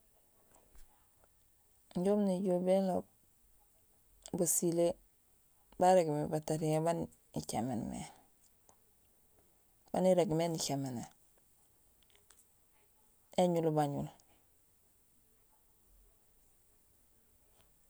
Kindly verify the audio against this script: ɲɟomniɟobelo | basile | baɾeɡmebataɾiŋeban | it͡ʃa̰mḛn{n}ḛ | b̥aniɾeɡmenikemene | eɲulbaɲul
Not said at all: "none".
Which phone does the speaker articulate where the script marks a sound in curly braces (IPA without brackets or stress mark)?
m